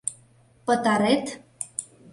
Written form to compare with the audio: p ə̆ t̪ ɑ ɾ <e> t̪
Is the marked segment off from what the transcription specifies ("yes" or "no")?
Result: no